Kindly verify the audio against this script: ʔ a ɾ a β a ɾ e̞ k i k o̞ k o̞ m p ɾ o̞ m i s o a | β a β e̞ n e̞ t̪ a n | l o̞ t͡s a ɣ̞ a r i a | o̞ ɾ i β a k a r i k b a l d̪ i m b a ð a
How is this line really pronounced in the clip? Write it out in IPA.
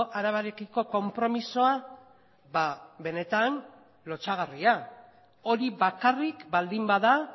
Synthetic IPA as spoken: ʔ a ɾ a β a ɾ e̞ k i k o̞ k o̞ m p ɾ o̞ m i s o a | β a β e̞ n e̞ t̪ a n | l o̞ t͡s a ɣ̞ a r i a | o̞ ɾ i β a k a r i k b a l d̪ i m b a ð a